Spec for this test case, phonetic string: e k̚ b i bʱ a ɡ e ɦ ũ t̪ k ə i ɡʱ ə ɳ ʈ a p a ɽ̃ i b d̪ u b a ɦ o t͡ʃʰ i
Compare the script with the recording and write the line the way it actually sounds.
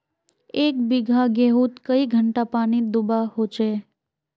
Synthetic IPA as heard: e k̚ b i ɡʱ a ɡ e ɦ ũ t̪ k ə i ɡʱ ə ɳ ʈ a p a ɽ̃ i d̪ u b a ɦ o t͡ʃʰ e